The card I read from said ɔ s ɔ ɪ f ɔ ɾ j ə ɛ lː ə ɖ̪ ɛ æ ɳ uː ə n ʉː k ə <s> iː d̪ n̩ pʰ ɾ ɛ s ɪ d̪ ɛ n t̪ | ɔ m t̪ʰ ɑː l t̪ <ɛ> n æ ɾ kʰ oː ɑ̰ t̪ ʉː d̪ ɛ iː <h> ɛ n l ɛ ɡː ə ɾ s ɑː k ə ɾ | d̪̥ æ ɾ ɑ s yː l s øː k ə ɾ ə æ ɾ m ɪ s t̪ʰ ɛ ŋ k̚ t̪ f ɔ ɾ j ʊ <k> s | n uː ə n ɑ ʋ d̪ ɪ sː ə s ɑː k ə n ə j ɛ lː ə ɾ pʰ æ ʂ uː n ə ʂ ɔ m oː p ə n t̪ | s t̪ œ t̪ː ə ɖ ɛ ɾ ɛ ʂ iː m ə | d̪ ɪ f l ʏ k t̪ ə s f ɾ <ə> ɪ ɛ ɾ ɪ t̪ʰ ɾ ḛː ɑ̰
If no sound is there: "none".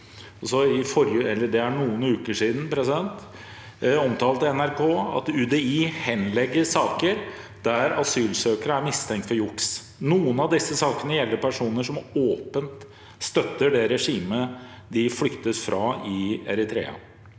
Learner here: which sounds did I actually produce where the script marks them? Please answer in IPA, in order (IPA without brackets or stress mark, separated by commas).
ʂ, ɛ, h, k, ɑ